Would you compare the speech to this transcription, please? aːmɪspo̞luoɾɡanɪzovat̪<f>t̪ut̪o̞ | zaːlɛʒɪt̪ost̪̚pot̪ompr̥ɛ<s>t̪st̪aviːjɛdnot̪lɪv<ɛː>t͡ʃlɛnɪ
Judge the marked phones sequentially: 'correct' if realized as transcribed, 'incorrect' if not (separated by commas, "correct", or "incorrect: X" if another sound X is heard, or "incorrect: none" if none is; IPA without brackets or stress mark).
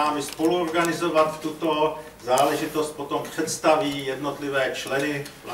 correct, incorrect: none, correct